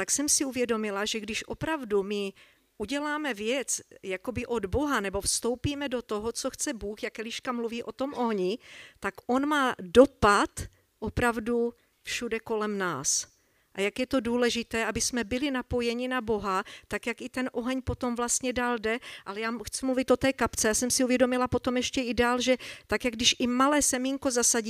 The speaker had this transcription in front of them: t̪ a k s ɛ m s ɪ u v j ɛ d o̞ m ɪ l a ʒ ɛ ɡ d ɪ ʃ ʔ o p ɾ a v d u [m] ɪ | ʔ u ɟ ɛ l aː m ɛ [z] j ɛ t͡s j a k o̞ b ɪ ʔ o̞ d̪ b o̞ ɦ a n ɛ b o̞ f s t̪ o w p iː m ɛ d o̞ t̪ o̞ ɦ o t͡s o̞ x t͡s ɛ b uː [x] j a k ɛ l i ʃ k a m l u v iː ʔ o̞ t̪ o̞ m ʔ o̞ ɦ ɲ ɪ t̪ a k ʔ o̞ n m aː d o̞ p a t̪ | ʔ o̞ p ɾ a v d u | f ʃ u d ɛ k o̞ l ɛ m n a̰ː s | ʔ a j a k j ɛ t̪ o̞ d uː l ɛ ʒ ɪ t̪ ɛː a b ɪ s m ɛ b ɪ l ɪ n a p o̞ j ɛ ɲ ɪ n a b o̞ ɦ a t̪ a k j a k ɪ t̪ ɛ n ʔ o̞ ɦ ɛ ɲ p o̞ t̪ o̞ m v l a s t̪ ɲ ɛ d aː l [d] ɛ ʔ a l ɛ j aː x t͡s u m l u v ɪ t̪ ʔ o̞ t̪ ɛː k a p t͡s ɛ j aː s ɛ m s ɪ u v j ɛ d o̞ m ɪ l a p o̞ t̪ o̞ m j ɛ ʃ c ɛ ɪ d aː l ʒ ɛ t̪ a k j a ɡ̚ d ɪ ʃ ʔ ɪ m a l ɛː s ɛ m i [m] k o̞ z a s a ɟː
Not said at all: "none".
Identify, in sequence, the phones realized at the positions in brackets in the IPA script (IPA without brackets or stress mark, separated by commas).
m, v, x, d, ŋ